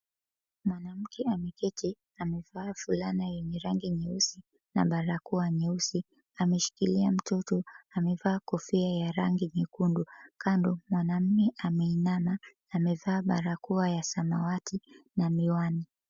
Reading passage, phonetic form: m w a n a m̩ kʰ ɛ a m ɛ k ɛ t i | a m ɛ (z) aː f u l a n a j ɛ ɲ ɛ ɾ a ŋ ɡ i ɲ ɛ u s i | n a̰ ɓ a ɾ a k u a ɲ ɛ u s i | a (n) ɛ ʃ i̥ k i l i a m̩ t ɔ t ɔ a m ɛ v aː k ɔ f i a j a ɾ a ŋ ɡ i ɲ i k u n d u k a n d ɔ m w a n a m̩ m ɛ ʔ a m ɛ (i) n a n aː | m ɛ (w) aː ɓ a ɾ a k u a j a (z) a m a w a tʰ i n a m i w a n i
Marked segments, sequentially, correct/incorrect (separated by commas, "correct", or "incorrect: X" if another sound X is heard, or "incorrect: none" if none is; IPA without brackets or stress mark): incorrect: v, incorrect: m, correct, incorrect: v, incorrect: s